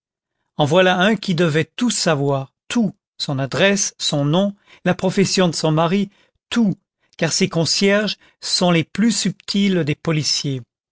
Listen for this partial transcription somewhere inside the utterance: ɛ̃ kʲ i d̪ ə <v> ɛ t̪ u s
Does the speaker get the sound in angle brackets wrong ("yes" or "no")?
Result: no